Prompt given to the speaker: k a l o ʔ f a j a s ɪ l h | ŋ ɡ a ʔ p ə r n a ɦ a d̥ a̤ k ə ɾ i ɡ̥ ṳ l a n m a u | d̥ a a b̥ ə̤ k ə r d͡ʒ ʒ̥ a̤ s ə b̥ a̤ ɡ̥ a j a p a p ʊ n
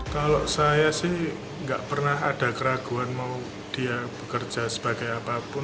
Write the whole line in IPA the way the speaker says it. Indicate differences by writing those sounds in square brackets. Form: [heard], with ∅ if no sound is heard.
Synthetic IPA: k a l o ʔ [s] a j a s ɪ [∅] h | ŋ ɡ a ʔ p ə r n a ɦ a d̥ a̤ k ə ɾ [a] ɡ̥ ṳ [∅] a n m a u | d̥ [i] a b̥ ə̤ k ə r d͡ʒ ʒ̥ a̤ s ə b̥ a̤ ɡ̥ a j a p a p ʊ n